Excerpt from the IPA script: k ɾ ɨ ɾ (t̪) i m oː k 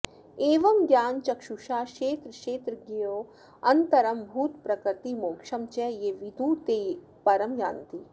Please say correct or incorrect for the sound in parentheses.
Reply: correct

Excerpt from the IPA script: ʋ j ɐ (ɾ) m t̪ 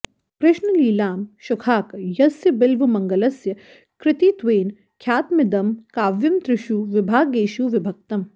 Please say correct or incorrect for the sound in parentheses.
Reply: incorrect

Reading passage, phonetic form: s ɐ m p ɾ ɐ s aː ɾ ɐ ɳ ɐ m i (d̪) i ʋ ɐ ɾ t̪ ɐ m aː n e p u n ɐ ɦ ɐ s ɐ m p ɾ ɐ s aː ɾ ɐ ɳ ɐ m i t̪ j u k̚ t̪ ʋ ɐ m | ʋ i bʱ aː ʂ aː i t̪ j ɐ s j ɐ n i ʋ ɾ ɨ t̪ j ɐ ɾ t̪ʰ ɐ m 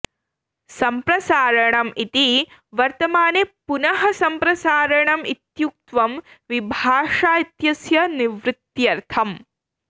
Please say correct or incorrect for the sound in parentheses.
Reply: incorrect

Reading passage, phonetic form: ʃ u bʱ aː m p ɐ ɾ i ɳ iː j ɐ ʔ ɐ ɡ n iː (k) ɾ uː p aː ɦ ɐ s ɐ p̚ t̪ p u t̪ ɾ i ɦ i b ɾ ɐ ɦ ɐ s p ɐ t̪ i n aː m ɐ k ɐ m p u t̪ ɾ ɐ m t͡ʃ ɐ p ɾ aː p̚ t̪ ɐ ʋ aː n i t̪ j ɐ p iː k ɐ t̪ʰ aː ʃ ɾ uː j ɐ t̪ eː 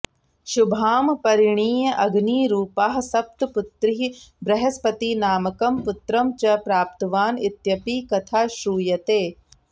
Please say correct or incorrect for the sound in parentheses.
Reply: incorrect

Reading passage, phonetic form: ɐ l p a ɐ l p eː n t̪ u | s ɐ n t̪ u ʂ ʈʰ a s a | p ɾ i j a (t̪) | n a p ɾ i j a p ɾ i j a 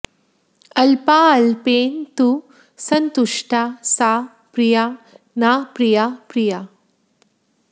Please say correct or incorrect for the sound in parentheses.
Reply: incorrect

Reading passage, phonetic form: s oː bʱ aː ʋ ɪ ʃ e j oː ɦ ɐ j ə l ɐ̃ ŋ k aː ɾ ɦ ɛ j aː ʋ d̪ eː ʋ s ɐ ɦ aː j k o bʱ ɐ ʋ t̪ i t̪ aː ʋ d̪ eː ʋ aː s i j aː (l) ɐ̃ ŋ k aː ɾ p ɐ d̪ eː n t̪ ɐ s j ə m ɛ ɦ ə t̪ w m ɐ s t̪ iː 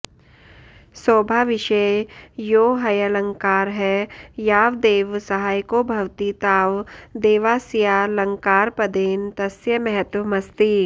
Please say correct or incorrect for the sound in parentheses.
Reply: correct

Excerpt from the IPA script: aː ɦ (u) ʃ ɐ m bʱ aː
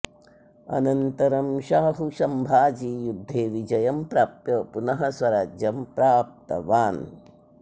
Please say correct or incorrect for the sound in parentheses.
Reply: correct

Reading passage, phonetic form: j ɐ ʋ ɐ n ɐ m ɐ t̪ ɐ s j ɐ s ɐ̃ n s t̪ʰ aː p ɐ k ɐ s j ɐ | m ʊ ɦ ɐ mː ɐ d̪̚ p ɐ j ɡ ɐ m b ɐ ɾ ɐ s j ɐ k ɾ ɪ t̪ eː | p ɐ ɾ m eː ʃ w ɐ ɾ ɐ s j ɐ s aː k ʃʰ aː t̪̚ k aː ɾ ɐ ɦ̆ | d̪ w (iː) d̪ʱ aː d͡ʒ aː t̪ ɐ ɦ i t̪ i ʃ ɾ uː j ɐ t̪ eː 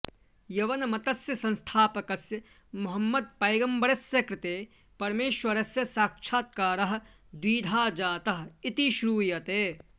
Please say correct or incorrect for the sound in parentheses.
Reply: correct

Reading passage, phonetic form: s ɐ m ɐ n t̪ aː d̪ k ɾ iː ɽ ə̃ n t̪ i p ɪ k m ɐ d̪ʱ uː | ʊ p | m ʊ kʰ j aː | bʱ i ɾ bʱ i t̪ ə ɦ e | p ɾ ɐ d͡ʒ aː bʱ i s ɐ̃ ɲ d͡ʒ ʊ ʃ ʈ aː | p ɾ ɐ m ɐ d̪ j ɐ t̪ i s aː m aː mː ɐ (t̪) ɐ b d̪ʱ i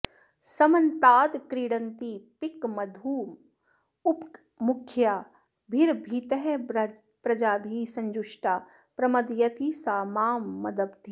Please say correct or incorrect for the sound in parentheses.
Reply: incorrect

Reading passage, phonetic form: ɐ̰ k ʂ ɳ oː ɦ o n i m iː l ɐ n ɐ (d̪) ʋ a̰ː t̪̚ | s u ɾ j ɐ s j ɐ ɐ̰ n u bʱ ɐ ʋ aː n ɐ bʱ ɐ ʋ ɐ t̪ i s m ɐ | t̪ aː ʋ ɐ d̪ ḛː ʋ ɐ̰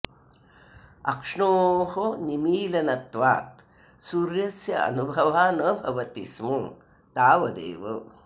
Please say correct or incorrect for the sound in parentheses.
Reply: incorrect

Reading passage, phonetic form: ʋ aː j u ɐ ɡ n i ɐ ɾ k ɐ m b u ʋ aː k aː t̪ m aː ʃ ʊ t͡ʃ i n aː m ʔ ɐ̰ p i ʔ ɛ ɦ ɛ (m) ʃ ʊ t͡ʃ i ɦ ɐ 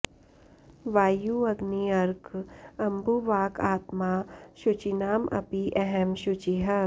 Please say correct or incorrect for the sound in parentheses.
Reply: correct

